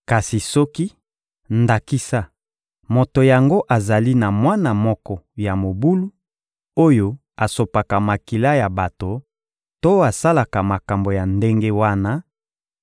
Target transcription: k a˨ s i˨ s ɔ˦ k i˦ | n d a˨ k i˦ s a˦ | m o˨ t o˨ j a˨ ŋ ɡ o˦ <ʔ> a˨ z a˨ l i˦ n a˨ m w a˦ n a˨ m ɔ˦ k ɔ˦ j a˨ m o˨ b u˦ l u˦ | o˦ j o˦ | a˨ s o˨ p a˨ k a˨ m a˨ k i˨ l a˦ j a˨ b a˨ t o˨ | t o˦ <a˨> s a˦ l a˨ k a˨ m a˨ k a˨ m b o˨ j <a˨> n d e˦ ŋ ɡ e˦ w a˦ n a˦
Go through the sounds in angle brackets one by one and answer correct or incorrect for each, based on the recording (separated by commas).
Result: correct, correct, correct